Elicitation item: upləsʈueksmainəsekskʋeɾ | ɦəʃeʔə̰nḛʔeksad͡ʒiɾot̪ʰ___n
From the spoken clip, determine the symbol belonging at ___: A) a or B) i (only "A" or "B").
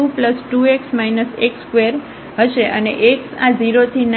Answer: B